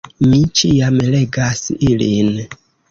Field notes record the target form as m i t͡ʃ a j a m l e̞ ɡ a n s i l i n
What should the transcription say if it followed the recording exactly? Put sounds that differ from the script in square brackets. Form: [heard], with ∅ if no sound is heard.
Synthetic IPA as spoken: m i t͡ʃ [i] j a m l e̞ ɡ a [∅] s i l i n